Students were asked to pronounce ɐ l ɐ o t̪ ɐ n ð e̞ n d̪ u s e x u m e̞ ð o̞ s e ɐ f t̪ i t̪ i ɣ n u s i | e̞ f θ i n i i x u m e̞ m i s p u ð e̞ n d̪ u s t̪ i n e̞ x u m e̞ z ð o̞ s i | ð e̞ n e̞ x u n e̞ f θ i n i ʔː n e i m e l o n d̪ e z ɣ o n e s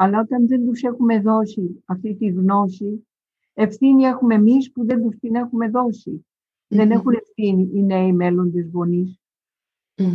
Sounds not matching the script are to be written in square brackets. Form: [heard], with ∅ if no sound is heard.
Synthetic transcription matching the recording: ɐ l ɐ o t̪ ɐ n ð e̞ n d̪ u s e x u m e̞ ð o̞ s [i] ɐ f t̪ i t̪ i ɣ n [o] s i | e̞ f θ i n i [e] x u m e̞ m i s p u ð e̞ n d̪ u s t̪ i n e̞ x u m e̞ [∅] ð o̞ s i | ð e̞ n e̞ x u n e̞ f θ i n i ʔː n e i m e l o n d̪ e z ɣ o n [i] s